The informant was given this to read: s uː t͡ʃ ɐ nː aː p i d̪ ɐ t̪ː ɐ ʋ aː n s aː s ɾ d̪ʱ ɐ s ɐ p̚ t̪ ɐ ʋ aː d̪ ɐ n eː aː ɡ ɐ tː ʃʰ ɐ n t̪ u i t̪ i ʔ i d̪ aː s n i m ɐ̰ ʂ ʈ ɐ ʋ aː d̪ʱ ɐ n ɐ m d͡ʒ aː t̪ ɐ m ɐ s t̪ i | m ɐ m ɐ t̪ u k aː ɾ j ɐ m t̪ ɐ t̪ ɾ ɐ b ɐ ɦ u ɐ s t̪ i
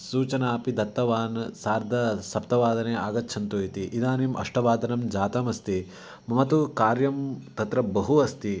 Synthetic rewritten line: s uː t͡ʃ ɐ n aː p i d̪ ɐ t̪ː ɐ ʋ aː n s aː ɾ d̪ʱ ɐ s ɐ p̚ t̪ ɐ ʋ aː d̪ ɐ n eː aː ɡ ɐ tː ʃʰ ɐ n t̪ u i t̪ i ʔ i d̪ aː n i m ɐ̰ ʂ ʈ ɐ ʋ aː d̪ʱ ɐ n ɐ m d͡ʒ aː t̪ ɐ m ɐ s t̪ i | m ɐ m ɐ t̪ u k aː ɾ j ɐ m t̪ ɐ t̪ ɾ ɐ b ɐ ɦ u ɐ s t̪ i